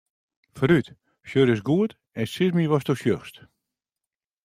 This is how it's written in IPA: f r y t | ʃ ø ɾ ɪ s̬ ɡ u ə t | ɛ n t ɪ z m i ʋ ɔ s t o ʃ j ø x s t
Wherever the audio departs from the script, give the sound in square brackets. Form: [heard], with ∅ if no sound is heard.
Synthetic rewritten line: f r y t | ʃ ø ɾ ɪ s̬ ɡ u ə t | ɛ n [s] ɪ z m i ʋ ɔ s t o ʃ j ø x s t